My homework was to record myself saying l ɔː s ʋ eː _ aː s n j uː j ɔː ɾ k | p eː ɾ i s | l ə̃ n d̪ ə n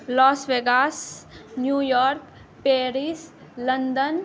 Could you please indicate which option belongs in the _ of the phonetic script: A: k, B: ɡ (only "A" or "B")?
B